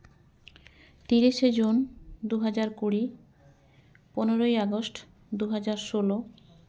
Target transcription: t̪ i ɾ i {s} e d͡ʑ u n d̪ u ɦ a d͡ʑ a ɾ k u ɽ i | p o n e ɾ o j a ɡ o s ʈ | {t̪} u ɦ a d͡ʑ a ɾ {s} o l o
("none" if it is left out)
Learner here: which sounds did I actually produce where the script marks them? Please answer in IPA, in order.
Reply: ʃ, d̪, ʃ

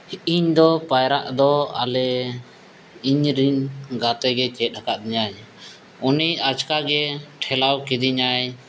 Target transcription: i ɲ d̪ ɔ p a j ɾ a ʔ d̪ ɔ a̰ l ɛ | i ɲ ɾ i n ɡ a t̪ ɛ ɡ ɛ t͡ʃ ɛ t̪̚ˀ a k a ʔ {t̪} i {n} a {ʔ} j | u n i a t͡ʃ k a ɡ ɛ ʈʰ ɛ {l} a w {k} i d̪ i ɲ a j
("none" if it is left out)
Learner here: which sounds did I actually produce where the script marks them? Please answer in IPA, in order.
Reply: d̪, ɲ, none, l, k

